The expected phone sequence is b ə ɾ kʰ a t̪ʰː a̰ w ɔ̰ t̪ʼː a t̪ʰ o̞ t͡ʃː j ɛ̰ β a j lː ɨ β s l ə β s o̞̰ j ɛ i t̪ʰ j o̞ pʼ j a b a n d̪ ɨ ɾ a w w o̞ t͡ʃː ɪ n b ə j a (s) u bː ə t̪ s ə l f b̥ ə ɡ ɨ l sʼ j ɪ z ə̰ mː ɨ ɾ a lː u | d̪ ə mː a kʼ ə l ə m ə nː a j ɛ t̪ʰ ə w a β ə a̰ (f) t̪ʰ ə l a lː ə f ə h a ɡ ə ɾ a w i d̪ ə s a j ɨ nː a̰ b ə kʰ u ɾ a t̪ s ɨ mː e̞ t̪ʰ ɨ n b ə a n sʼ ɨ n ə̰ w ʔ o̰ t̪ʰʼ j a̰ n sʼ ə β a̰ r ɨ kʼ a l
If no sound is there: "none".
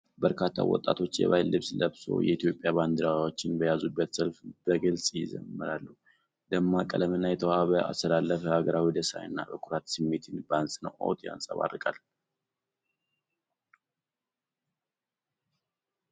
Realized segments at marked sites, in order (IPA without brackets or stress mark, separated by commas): z, s